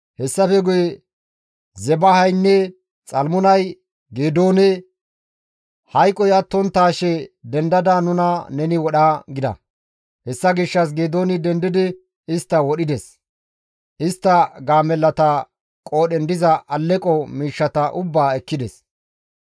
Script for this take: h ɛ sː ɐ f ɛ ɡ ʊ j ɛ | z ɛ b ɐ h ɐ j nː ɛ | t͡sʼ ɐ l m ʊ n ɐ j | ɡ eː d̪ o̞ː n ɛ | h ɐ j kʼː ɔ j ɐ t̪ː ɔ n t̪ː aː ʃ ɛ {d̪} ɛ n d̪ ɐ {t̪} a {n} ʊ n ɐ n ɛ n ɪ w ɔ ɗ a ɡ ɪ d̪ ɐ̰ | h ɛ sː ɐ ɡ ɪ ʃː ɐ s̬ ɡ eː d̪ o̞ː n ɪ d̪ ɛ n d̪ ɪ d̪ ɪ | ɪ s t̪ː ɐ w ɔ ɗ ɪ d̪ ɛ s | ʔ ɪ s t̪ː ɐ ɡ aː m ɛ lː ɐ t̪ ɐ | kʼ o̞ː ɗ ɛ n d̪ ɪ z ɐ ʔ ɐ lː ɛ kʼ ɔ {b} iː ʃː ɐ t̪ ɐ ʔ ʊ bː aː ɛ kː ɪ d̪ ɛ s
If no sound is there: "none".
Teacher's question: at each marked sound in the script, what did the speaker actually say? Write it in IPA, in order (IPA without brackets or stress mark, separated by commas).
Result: d̪, d̪, n, m